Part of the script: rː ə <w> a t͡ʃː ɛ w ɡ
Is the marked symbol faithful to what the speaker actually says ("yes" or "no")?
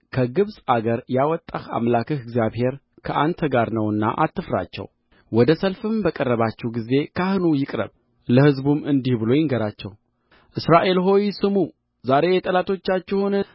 no